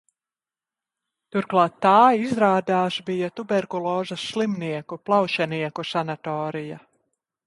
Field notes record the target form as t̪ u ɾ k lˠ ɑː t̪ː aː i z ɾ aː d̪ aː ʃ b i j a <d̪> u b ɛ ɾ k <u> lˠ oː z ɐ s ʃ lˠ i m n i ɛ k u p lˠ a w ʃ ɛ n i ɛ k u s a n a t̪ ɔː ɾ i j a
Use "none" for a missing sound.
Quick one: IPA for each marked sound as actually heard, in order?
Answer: t̪, u

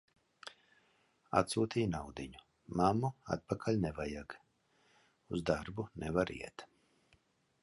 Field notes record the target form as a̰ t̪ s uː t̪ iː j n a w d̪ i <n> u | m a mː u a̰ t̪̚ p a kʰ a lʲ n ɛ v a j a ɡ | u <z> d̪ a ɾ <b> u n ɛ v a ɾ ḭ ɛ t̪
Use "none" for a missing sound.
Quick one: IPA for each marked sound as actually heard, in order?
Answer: ɲ, z, b

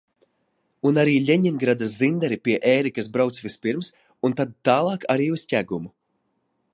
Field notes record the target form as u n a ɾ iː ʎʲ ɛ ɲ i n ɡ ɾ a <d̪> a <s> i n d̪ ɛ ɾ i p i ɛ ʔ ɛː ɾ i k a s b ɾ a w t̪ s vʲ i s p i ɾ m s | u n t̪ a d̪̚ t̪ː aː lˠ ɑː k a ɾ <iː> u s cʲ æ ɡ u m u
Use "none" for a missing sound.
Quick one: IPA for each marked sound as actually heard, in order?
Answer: d̪, z, iː

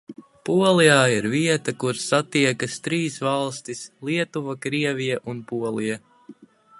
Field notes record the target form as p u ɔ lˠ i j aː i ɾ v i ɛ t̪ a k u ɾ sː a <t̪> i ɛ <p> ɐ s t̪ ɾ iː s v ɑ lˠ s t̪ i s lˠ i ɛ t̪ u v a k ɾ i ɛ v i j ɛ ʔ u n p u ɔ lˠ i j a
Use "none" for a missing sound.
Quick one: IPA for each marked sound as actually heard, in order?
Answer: t̪, k

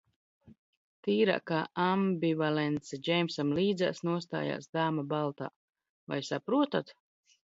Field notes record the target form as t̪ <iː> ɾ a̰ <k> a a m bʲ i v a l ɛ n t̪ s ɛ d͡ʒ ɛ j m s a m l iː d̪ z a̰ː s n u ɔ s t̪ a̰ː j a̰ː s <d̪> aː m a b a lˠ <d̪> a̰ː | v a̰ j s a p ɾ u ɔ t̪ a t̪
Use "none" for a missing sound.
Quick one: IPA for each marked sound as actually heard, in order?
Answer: iː, k, d̪, t̪

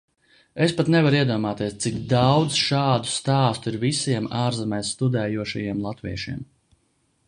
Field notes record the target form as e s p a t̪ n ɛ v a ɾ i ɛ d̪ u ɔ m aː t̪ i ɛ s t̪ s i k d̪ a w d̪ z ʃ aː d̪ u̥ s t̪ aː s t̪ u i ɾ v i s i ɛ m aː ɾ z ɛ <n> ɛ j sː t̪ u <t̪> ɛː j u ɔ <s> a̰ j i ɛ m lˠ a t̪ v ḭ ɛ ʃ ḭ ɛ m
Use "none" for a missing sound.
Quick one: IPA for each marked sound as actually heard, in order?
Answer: m, d̪, ʃ

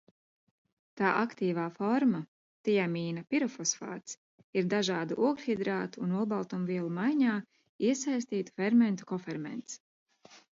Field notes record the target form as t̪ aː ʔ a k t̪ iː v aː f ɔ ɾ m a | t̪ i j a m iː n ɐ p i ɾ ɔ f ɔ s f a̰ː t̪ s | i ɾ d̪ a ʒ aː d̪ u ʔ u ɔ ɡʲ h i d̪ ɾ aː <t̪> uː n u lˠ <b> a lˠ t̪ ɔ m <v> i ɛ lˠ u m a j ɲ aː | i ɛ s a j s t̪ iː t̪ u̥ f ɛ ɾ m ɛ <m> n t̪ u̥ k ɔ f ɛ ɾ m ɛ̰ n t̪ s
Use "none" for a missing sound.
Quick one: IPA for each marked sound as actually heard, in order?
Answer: t̪, b, v, none

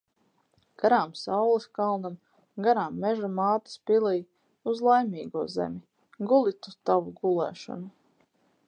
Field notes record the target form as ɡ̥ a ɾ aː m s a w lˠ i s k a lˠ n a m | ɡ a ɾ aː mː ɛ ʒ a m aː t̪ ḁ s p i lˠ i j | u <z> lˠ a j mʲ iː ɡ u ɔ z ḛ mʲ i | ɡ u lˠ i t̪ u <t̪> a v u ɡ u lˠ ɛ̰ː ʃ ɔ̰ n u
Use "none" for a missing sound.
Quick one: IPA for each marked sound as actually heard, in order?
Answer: z, t̪

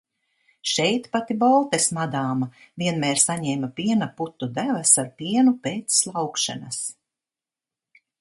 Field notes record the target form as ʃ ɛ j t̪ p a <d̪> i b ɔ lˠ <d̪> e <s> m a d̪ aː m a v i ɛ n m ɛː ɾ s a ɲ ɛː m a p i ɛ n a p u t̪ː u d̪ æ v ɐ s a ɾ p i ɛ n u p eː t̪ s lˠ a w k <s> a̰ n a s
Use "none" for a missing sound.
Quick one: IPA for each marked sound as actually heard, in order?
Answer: t̪, t̪, s, ʃ

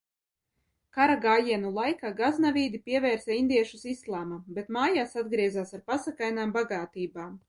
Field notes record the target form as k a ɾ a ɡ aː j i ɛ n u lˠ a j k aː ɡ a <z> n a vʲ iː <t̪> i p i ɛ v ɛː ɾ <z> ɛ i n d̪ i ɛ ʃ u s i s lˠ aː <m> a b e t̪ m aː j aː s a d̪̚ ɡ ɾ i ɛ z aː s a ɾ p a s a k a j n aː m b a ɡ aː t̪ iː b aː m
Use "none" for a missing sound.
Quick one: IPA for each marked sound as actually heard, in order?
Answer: z, d̪, s, m

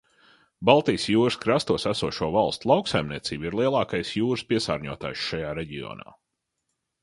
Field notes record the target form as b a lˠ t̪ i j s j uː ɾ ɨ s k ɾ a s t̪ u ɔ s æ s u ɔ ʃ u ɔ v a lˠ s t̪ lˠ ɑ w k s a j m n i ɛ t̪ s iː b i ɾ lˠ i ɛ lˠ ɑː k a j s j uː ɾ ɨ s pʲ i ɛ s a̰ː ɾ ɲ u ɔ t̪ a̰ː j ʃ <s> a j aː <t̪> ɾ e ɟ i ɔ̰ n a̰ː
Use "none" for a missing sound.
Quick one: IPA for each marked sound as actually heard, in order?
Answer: ʃ, none

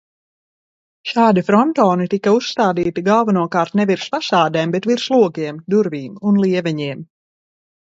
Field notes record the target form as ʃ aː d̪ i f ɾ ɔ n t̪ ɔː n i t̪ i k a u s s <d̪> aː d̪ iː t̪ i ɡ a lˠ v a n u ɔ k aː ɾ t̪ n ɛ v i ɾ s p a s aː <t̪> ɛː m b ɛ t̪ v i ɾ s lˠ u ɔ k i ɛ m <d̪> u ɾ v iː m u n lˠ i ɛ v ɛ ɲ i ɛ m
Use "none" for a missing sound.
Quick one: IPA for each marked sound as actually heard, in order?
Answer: t̪, d̪, d̪

